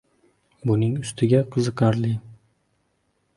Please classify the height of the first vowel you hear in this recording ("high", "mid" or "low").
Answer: high